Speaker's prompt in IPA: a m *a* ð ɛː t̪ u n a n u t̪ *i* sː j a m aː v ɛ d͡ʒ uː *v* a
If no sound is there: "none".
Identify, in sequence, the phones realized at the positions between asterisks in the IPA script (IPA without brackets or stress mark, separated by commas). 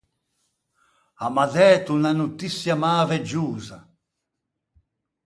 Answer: a, i, z